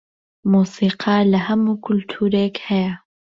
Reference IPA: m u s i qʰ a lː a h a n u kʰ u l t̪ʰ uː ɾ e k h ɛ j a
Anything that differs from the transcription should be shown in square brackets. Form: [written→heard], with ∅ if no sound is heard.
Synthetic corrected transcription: m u s i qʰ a [lː→l] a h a [n→m] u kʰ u l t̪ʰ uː ɾ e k h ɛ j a